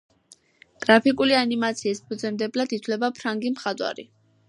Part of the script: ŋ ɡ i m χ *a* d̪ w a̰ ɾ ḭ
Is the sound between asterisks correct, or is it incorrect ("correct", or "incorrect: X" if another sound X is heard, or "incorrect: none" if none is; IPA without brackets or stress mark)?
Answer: correct